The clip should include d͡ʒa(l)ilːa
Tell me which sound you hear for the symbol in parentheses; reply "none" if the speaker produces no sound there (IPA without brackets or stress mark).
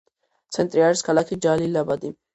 l